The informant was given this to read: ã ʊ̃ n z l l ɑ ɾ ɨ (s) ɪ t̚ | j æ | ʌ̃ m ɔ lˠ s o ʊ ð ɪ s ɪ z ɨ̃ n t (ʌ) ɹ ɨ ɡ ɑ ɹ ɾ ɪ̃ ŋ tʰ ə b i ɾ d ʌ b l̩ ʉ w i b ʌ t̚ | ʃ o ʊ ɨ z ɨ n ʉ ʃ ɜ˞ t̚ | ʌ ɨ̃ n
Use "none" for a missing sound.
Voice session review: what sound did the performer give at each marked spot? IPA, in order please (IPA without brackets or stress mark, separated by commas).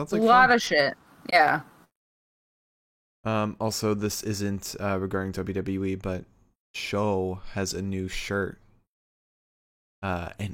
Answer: ʃ, ʌ